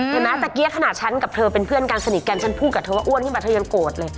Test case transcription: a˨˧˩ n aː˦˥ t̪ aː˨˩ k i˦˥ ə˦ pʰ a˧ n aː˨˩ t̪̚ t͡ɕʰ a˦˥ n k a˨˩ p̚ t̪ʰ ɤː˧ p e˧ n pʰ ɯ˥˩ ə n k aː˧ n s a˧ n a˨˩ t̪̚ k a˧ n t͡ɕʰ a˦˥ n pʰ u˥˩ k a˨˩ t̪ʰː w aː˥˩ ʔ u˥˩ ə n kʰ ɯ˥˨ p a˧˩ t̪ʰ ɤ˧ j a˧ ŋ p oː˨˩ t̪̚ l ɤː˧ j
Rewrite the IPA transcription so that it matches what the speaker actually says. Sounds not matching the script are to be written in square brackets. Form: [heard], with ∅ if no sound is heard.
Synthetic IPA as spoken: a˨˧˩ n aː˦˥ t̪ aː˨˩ k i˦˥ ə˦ [kʰ] a˧ n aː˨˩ t̪̚ t͡ɕʰ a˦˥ n k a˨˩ p̚ t̪ʰ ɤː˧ p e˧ n pʰ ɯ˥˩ ə n k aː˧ n s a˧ n [i˨˩] t̪̚ k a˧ n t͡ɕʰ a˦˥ n pʰ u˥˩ k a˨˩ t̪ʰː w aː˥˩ ʔ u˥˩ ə n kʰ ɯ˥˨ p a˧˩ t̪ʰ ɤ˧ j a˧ ŋ [k] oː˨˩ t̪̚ l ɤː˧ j